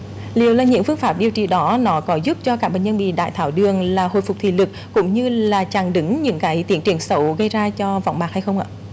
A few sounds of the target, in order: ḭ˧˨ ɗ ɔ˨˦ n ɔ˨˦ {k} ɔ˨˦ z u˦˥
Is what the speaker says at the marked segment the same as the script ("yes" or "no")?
yes